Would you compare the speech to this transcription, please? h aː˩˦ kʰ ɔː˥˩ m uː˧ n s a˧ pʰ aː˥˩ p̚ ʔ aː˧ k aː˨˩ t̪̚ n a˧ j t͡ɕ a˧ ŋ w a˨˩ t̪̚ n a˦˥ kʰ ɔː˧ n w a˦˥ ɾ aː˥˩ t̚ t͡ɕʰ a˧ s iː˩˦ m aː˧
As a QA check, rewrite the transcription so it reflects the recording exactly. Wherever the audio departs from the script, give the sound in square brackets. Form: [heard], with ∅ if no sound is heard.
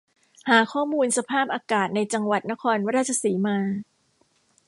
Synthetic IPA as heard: h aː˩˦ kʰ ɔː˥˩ m uː˧ n s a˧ pʰ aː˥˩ p̚ ʔ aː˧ k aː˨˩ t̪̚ n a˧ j t͡ɕ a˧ ŋ w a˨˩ t̪̚ n a˦˥ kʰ ɔː˧ n w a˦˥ ɾ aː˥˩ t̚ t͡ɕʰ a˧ s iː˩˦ m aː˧